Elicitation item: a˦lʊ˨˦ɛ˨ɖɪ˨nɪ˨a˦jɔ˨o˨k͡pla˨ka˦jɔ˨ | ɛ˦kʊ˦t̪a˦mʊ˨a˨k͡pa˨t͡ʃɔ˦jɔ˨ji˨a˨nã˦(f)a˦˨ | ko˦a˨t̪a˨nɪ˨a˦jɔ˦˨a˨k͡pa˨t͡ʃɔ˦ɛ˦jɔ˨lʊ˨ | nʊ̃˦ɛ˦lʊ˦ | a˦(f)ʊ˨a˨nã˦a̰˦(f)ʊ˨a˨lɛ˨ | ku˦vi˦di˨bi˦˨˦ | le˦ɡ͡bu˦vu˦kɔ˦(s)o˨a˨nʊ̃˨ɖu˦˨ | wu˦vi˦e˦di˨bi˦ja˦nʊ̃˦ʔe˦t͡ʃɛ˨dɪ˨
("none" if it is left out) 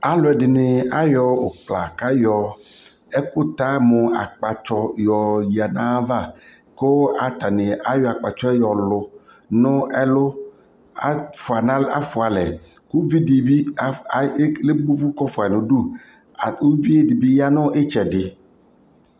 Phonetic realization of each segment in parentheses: v, f, f, f

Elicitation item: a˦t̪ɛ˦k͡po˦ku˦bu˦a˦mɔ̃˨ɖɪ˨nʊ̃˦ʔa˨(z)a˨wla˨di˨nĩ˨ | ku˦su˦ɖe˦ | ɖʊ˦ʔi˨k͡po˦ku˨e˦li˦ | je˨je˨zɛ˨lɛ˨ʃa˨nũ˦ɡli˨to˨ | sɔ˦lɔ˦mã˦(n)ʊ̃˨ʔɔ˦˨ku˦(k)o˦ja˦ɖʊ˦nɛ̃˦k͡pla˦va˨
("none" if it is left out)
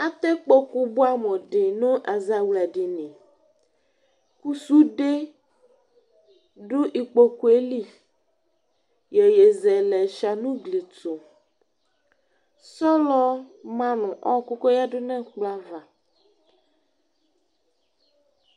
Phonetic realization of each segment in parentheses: z, n, k

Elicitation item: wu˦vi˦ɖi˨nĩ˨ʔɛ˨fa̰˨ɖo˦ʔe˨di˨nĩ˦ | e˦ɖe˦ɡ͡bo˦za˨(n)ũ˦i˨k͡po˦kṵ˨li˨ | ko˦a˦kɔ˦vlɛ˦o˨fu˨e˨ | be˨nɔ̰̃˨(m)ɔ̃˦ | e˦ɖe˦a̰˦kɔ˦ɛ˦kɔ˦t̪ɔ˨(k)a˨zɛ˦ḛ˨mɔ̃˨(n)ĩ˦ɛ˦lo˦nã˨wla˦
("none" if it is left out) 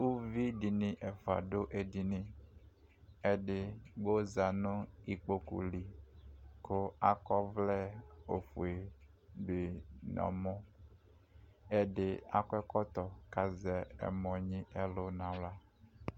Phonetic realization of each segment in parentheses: n, m, k, ɲ

